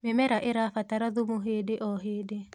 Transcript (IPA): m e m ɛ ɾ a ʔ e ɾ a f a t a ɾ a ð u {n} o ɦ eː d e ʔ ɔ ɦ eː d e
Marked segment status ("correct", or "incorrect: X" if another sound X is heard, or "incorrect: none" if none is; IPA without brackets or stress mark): incorrect: m